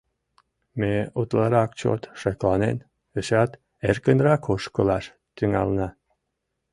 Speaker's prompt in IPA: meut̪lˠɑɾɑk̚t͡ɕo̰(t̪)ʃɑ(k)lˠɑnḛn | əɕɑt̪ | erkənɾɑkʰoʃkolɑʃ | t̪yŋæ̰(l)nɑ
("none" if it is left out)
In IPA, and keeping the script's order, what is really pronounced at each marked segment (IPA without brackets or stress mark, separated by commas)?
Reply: t̪, k, l